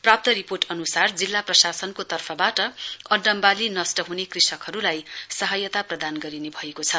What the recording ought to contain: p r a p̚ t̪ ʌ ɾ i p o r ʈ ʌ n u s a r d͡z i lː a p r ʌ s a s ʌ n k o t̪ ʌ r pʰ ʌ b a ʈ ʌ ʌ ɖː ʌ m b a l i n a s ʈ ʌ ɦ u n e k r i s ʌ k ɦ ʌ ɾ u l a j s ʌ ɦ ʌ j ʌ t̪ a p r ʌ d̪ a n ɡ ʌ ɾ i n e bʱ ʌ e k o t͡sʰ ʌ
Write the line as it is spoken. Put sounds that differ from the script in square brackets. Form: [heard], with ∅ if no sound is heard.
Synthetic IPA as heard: p r a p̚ t̪ ʌ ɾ i p o r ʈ ʌ n u s a r d͡z i lː a p r ʌ s a s ʌ n k o t̪ ʌ r pʰ ʌ b a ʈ ʌ ʌ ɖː ʌ m b a l i n [ʌ] s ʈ ʌ ɦ u n e k r i s ʌ k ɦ ʌ ɾ u l a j s ʌ ɦ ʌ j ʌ t̪ a p r ʌ d̪ a n ɡ ʌ ɾ i n e bʱ ʌ e k o t͡sʰ ʌ

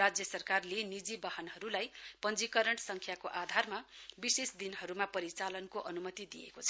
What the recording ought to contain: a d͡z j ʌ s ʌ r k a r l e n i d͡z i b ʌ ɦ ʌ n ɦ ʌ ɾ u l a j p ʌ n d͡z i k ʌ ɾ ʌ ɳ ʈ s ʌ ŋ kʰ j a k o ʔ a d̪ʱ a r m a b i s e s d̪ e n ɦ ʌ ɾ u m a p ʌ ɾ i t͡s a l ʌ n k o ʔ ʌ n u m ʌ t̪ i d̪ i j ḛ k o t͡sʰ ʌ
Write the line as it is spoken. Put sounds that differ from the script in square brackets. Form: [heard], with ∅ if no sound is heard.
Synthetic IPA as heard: a d͡z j ʌ s ʌ r k a r l e n i d͡z i b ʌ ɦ ʌ n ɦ ʌ ɾ u l a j p ʌ n d͡z i k ʌ ɾ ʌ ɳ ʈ s ʌ ŋ kʰ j a k o ʔ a d̪ʱ a r m a b i s e s d̪ [i] n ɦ ʌ ɾ u m a p ʌ ɾ i t͡s a l ʌ n k o ʔ ʌ n u m ʌ t̪ i d̪ i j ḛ k o t͡sʰ ʌ

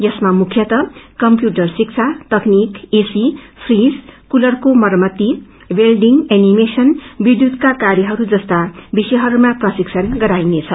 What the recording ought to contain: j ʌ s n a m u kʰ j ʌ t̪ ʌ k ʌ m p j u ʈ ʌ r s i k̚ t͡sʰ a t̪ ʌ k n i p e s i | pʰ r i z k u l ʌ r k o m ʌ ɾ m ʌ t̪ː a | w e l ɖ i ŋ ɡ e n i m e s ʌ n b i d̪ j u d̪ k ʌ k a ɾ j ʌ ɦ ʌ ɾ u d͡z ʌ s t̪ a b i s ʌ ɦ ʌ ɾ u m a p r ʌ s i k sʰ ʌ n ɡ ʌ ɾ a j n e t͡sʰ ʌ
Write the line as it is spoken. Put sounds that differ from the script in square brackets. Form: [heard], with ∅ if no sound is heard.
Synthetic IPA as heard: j ʌ s [m] a m u kʰ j ʌ t̪ ʌ k ʌ m p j u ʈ ʌ r s i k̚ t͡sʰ a t̪ ʌ k n i [k] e s i | pʰ r i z k u l ʌ r k o m ʌ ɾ m ʌ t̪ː [i] | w e l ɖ i ŋ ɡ e n i m e s ʌ n b i d̪ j u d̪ k [a] k a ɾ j ʌ ɦ ʌ ɾ u d͡z ʌ s t̪ a b i s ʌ ɦ ʌ ɾ u m a p r ʌ s i k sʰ ʌ n ɡ ʌ ɾ a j n e t͡sʰ ʌ

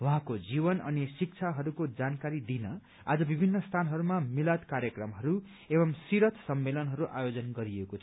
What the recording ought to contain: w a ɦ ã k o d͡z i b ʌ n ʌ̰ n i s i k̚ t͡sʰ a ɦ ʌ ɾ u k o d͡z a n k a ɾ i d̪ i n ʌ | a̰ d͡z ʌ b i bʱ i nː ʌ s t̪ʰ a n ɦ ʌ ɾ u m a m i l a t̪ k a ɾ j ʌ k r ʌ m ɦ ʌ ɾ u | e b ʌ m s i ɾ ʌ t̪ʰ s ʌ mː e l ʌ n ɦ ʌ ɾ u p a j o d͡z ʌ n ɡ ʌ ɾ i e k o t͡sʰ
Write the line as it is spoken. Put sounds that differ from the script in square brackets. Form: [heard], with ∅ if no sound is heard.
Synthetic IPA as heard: w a ɦ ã k o d͡z i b ʌ n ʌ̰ n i s i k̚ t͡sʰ a ɦ ʌ ɾ u k o d͡z a n k a ɾ i d̪ i n ʌ | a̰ d͡z ʌ b i bʱ i nː ʌ s t̪ʰ a n ɦ ʌ ɾ u m a m i l a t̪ k a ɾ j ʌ k r ʌ m ɦ ʌ ɾ u | e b ʌ m s i ɾ ʌ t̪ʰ s ʌ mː e l ʌ n ɦ ʌ ɾ u [ʔ] a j o d͡z ʌ n ɡ ʌ ɾ i e k o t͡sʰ

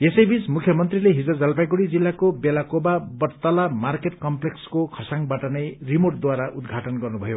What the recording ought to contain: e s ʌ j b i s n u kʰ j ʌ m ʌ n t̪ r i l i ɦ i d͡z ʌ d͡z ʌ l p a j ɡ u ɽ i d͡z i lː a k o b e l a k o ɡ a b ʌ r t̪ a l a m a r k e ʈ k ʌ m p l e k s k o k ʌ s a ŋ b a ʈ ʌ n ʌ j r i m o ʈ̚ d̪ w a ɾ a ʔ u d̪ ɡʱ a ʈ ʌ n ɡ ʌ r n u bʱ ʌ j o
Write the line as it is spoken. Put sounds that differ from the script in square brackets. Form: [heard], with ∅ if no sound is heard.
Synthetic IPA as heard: e s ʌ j b i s [m] u kʰ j ʌ m ʌ n t̪ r i l [e] ɦ i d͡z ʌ d͡z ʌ l p a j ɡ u ɽ i d͡z i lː a k o b e l a k o [b] a b ʌ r t̪ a l a m a r k e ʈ k ʌ m p l e k s k o [kʰ] ʌ s a ŋ b a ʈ ʌ n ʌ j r i m o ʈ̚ d̪ w a ɾ a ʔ u d̪ ɡʱ a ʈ ʌ n ɡ ʌ r n u bʱ ʌ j o

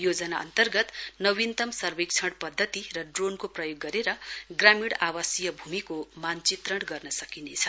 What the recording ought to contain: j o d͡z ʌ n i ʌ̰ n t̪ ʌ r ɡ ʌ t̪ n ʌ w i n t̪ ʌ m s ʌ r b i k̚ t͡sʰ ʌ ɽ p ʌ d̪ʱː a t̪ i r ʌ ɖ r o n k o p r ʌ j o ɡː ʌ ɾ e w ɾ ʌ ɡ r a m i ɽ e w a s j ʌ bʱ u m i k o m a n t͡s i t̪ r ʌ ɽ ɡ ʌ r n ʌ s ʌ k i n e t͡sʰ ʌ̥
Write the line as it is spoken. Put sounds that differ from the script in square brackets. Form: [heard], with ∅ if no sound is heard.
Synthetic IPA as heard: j o d͡z ʌ n [a] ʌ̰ n t̪ ʌ r ɡ ʌ t̪ n ʌ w i n t̪ ʌ m s ʌ r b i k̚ t͡sʰ ʌ ɽ p ʌ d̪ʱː [ʌ] t̪ i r ʌ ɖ r o n k o p r ʌ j o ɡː ʌ ɾ e [∅] ɾ ʌ ɡ r a m i ɽ [a] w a s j ʌ bʱ u m i k o m a n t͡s i t̪ r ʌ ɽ ɡ ʌ r n ʌ s ʌ k i n e t͡sʰ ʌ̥

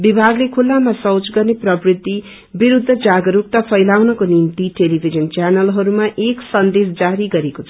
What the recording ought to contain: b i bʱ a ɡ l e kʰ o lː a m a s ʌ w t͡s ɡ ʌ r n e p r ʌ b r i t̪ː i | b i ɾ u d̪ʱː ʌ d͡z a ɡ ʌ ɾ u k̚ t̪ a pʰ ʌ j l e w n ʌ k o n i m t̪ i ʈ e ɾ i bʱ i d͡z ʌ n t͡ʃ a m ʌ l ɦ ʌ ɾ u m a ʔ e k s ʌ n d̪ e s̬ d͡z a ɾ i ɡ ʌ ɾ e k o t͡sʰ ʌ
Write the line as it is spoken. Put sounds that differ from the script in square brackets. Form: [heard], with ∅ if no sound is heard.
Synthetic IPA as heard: b i bʱ a ɡ l e kʰ [u] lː a m a s ʌ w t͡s ɡ ʌ r n e p r ʌ b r i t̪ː i | b i ɾ u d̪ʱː ʌ d͡z a ɡ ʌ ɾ u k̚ t̪ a pʰ ʌ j l [a] w n ʌ k o n i m t̪ i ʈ e [l] i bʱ i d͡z ʌ n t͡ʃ a [n] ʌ l ɦ ʌ ɾ u m a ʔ e k s ʌ n d̪ e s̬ d͡z a ɾ i ɡ ʌ ɾ e k o t͡sʰ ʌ

